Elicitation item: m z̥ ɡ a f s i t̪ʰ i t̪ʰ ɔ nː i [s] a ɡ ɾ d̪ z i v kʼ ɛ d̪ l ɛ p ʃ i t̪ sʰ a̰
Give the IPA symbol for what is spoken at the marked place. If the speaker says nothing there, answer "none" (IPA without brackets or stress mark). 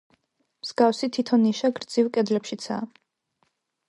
ʃ